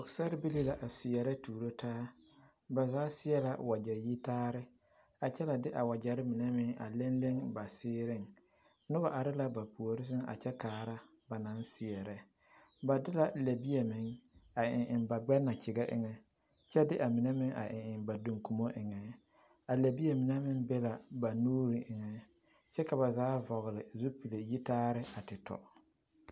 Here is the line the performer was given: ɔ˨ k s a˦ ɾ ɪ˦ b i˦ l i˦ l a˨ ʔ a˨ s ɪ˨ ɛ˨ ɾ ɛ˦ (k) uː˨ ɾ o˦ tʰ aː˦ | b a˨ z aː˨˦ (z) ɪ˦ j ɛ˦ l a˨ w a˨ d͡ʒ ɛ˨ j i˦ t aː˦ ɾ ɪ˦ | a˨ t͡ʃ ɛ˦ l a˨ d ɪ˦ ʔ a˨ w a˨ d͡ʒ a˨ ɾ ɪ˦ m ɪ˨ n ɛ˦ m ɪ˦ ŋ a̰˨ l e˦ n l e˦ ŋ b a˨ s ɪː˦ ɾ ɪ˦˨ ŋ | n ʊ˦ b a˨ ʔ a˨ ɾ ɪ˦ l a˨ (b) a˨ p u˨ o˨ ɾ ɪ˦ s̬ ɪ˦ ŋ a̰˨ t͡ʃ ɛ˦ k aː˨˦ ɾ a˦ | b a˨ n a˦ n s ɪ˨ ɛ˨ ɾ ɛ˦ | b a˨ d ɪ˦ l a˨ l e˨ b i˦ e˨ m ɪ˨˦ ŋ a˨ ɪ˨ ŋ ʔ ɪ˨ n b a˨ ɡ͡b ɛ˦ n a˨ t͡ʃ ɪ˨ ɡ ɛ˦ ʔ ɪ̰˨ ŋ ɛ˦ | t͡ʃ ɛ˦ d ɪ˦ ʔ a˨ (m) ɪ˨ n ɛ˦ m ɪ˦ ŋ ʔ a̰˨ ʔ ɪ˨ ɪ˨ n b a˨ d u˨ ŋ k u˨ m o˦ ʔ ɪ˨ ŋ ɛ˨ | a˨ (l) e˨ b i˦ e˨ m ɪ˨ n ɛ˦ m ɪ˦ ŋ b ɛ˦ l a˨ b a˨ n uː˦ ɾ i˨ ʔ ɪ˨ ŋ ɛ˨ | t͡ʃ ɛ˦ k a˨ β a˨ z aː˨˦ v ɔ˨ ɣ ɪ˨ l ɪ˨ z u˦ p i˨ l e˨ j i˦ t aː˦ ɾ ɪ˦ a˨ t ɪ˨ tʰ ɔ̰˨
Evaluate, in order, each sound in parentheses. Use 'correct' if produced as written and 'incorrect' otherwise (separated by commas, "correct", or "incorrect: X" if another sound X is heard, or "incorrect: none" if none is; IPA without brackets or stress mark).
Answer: incorrect: t, incorrect: s, correct, correct, correct